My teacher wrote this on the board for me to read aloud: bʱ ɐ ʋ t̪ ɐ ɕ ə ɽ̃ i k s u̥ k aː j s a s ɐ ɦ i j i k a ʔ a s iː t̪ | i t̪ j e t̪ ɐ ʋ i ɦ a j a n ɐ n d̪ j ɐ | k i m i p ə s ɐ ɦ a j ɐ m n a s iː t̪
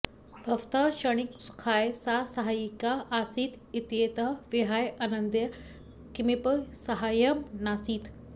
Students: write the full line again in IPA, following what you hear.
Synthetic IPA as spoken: bʱ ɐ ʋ t̪ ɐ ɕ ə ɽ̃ i k s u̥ kʰ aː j s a s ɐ ɦ a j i k a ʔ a s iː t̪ | i t̪ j e t̪ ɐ ʋ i ɦ a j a n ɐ n d̪ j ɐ | k i m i p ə s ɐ ɦ a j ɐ m n a s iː t̪